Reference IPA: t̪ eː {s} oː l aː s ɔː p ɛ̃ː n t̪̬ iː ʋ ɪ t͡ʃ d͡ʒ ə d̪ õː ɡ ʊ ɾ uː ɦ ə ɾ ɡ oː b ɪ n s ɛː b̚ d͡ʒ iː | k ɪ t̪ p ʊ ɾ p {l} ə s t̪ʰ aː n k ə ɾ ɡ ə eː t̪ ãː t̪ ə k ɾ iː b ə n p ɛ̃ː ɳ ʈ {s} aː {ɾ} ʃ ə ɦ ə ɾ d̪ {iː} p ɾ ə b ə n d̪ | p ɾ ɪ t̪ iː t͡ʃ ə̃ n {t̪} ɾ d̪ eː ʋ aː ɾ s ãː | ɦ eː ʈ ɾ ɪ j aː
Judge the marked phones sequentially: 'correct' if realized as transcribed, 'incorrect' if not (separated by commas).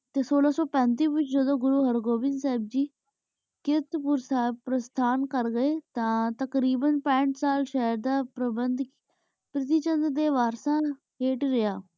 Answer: correct, incorrect, correct, incorrect, incorrect, incorrect